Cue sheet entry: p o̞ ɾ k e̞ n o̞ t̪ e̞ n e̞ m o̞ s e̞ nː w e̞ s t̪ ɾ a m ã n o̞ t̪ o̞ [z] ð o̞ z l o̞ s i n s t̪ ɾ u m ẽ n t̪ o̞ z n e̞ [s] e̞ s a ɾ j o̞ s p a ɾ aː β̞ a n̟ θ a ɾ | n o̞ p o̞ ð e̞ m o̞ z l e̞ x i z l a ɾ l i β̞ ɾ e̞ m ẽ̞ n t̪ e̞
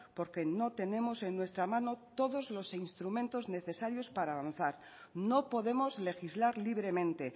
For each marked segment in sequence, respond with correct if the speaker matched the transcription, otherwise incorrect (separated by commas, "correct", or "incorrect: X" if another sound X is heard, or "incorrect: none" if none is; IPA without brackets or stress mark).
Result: incorrect: none, incorrect: θ